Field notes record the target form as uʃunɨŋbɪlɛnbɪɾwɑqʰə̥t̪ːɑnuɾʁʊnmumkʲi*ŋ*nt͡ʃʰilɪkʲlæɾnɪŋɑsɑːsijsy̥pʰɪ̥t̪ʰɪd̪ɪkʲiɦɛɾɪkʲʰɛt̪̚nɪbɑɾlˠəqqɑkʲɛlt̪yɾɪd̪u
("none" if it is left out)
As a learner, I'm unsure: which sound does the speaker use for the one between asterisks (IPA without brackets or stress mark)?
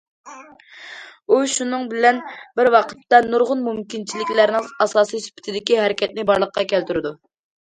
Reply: none